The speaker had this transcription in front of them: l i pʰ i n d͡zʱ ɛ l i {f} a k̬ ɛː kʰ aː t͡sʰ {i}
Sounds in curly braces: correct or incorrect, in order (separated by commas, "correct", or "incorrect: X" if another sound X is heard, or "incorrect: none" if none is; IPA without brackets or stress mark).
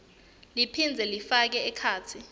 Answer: correct, correct